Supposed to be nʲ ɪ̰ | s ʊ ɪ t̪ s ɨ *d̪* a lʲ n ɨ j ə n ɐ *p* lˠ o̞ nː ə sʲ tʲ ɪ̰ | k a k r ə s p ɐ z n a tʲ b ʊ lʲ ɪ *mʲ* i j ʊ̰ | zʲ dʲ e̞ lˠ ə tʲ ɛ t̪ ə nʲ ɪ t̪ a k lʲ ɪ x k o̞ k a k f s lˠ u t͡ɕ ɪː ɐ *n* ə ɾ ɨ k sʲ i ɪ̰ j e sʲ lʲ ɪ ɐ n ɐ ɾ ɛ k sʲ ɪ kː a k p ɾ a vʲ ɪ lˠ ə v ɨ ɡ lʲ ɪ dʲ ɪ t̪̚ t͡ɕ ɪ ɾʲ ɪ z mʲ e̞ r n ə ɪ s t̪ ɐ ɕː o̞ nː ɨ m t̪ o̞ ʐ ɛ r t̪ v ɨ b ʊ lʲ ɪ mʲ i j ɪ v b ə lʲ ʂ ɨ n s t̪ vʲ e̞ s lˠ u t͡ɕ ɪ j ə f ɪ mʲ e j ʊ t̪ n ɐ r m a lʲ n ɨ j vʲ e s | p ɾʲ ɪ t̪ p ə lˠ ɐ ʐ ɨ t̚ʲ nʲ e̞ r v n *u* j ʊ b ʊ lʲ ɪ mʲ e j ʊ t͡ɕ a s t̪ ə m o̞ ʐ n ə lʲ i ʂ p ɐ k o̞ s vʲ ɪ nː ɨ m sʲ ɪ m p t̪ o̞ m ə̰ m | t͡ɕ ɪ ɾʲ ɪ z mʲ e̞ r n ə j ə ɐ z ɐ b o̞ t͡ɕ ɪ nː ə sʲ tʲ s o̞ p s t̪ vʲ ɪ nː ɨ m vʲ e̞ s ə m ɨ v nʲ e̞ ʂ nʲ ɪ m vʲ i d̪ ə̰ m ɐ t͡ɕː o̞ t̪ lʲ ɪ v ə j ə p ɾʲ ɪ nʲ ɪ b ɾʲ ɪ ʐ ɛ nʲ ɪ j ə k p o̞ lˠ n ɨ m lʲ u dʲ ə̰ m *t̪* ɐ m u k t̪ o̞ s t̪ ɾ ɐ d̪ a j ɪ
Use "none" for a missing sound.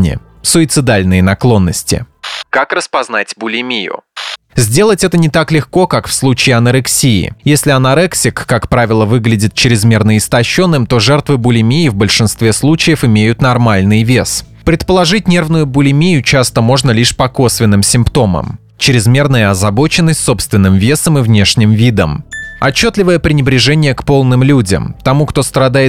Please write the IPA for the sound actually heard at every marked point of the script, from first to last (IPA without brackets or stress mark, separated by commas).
d̪, k, mʲ, n, ʊ, t̪